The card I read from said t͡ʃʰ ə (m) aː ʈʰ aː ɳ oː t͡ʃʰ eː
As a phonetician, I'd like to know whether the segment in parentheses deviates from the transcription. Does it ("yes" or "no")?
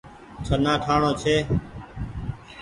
yes